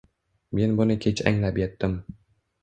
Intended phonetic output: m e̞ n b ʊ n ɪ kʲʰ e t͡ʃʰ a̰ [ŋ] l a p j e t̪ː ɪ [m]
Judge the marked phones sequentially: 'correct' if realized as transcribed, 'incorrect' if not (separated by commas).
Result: correct, correct